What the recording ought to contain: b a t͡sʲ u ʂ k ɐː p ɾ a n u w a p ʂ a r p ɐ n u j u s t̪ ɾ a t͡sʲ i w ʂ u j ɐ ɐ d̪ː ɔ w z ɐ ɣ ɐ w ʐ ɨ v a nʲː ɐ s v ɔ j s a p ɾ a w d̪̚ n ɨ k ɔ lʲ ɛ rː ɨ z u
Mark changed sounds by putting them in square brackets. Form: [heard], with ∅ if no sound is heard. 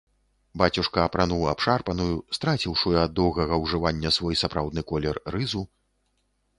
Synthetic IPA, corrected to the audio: b a t͡sʲ u ʂ k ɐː p ɾ a n u w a p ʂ a r p ɐ n u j u s t̪ ɾ a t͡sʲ i w ʂ u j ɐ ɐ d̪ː ɔ w [ɣ] ɐ ɣ ɐ w ʐ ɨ v a nʲː ɐ s v ɔ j s a p ɾ a w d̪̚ n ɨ k ɔ lʲ ɛ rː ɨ z u